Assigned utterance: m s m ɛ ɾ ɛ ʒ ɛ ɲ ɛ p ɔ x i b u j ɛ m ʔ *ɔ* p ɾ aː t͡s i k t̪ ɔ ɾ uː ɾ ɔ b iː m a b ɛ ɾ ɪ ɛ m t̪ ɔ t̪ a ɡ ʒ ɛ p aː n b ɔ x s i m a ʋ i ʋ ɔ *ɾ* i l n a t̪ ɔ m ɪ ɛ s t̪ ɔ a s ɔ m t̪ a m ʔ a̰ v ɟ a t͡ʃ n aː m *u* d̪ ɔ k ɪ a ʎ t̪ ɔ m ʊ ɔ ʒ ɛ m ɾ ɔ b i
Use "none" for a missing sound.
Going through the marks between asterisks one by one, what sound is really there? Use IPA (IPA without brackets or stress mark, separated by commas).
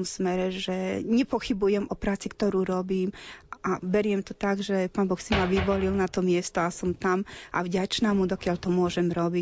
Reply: ɔ, l, u